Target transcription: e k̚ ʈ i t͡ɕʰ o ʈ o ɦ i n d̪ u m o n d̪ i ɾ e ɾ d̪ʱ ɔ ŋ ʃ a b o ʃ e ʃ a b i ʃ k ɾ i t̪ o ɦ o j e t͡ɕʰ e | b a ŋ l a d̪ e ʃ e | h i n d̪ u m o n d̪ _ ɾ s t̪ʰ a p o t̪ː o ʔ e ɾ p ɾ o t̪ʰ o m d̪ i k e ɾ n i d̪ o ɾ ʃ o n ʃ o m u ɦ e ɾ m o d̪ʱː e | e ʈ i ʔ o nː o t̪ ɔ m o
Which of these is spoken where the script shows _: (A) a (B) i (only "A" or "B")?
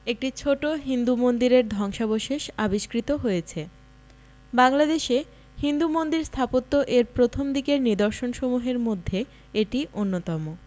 B